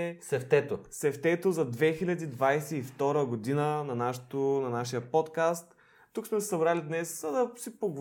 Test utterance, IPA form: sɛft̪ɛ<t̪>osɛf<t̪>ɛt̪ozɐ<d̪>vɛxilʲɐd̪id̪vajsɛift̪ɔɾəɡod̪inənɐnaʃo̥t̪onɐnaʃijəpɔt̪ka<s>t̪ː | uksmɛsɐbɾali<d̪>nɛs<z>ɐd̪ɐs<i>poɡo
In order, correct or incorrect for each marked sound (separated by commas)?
correct, correct, correct, correct, correct, correct, correct